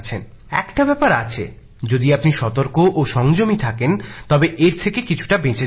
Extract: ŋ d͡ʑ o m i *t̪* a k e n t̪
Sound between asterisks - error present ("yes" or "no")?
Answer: yes